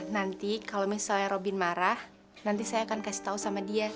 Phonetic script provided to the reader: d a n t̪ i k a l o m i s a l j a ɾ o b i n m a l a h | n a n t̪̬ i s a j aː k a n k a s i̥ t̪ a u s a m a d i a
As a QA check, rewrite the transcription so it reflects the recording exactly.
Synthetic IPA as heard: n a n t̪ i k a l o m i s a l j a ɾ o b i n m a ɾ a h | n a n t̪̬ i s a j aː k a n k a s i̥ t̪ a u s a m a d i a